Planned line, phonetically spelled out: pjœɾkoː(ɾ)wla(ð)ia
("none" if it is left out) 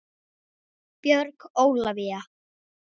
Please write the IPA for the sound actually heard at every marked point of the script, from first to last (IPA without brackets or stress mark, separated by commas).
none, v